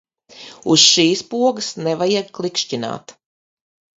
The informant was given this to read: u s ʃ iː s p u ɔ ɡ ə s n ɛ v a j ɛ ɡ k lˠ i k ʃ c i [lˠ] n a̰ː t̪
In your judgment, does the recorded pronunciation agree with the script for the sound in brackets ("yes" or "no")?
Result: no